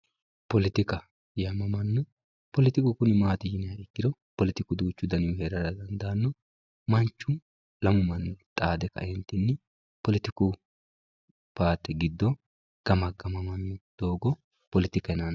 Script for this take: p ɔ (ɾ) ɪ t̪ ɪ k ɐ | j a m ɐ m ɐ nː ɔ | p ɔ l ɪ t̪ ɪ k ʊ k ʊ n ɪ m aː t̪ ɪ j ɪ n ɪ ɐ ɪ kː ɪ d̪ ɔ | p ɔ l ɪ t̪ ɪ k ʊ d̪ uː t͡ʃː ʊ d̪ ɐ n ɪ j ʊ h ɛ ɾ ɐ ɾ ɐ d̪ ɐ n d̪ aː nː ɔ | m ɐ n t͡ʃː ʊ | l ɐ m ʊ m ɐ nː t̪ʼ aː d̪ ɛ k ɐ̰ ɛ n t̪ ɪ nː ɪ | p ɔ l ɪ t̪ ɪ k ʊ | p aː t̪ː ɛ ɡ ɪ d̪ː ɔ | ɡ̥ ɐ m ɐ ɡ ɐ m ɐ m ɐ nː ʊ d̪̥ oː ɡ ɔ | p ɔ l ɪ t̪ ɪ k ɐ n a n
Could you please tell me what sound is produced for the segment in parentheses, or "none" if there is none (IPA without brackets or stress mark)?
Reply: l